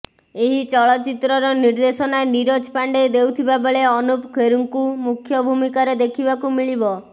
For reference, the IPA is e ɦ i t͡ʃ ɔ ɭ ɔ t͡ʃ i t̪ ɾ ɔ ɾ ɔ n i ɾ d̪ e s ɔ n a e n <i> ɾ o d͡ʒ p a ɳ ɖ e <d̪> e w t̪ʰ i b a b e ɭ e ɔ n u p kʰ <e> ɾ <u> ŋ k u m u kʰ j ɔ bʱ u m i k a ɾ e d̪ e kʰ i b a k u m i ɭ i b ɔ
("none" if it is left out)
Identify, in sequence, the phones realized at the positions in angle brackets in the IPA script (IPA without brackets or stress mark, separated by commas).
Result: i, d̪, e, u